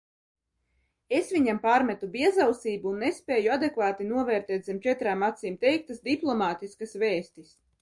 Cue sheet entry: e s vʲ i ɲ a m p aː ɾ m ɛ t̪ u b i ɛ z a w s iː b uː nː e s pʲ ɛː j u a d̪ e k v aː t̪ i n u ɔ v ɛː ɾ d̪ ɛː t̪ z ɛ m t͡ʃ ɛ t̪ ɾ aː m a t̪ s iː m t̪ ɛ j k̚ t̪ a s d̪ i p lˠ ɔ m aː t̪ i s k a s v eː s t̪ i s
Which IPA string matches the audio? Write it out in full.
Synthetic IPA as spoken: e s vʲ i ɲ a m p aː ɾ m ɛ t̪ u b i ɛ z a w s iː b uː nː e s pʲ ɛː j u a d̪ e k v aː t̪ i n u ɔ v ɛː ɾ t̪ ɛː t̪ z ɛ m t͡ʃ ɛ t̪ ɾ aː m a t̪ s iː m t̪ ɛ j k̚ t̪ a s d̪ i p lˠ ɔ m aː t̪ i s k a s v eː s t̪ i s